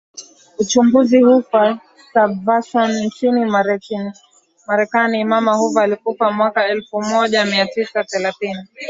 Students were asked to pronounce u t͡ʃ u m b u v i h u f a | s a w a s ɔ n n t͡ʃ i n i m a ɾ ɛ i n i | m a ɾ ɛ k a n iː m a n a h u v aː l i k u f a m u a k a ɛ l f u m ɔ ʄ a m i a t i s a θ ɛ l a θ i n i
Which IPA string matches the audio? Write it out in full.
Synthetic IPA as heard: u t͡ʃ u m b u z i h u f a | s a v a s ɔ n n t͡ʃ i n i m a ɾ ɛ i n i | m a ɾ ɛ k a n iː m a m a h u v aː l i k u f a m w a k a ɛ l f u m ɔ ʄ a m i a t i s a θ ɛ l a θ i n i